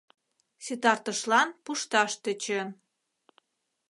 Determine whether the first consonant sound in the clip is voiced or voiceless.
voiceless